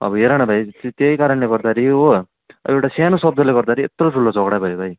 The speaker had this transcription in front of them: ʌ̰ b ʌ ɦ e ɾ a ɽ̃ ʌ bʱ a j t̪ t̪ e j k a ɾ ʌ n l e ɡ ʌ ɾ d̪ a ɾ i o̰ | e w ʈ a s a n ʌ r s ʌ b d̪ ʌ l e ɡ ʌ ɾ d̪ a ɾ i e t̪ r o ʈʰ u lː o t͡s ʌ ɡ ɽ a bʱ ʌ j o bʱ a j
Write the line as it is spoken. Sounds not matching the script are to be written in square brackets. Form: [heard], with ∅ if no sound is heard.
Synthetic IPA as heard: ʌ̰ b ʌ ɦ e ɾ a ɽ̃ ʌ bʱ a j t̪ t̪ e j k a ɾ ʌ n l e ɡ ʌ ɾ d̪ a ɾ i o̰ | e w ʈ a s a n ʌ [∅] s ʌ b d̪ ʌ l e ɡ ʌ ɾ d̪ a ɾ i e t̪ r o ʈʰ u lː o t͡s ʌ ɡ ɽ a bʱ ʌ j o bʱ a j